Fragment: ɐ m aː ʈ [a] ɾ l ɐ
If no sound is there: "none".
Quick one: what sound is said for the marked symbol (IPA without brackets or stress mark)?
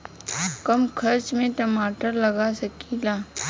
ə